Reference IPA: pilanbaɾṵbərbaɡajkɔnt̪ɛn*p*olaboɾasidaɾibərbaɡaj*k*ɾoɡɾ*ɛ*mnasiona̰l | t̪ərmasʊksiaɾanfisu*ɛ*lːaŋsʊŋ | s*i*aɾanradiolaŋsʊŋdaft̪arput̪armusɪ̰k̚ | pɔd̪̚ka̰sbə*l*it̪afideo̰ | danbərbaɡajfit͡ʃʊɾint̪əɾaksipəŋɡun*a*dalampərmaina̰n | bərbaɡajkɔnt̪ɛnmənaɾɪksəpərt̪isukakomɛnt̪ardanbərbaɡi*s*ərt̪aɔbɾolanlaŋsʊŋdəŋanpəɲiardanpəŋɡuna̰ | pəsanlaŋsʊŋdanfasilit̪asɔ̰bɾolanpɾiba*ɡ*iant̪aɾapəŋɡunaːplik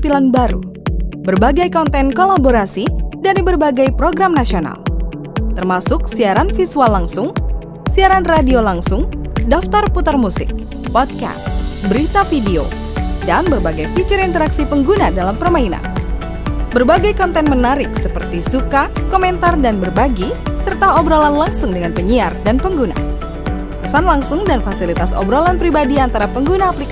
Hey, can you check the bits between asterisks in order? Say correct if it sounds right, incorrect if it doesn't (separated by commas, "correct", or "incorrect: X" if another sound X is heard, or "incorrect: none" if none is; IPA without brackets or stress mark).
incorrect: k, incorrect: p, incorrect: a, incorrect: a, correct, incorrect: ɾ, correct, correct, incorrect: d